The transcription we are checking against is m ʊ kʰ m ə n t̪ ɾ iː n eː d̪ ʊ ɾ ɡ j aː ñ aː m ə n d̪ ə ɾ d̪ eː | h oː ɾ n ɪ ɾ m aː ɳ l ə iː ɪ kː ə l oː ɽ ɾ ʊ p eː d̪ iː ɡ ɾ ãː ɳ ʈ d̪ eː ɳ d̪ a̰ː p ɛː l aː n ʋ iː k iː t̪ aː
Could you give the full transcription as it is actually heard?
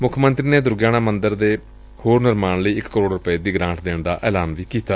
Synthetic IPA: m ʊ kʰ m ə n t̪ ɾ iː n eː d̪ ʊ ɾ ɡ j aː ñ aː m ə n d̪ ə ɾ d̪ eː | h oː ɾ n ɪ ɾ m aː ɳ l ə iː ɪ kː ə ɾ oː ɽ ɾ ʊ p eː d̪ iː ɡ ɾ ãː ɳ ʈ d̪ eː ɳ d̪ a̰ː ʔ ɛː l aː n ʋ iː k iː t̪ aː